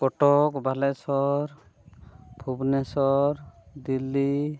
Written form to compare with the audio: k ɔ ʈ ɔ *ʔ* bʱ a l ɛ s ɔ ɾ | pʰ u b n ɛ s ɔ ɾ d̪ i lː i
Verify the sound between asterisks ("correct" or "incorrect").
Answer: incorrect